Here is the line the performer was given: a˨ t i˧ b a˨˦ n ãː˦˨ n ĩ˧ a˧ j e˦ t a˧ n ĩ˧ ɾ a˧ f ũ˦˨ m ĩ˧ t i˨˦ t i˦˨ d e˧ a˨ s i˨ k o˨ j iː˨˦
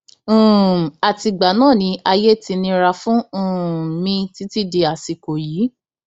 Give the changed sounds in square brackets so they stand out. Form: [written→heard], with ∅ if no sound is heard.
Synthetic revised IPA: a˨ t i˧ [b→ɡ͡b] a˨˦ n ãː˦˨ n ĩ˧ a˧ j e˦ t [a˧→i˧] n ĩ˧ ɾ a˧ f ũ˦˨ m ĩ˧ t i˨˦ t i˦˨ d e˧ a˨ s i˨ k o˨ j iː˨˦